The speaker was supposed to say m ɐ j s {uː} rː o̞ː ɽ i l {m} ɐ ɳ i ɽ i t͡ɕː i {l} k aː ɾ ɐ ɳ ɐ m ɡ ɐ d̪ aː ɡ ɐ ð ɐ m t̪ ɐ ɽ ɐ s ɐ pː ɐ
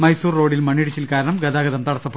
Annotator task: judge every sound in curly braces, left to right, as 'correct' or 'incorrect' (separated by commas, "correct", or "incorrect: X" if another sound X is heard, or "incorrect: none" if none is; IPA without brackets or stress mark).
correct, correct, correct